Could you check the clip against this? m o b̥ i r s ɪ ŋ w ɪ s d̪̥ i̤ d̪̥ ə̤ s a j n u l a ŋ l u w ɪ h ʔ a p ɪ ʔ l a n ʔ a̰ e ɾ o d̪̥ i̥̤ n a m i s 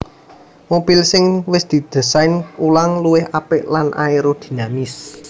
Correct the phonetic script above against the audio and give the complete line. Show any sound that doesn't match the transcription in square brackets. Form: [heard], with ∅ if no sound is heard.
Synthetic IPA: m o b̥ i [l] s ɪ ŋ w ɪ s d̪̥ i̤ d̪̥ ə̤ s a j n u l a ŋ l u w ɪ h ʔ a p ɪ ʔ l a n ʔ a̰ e ɾ o d̪̥ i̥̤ n a m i s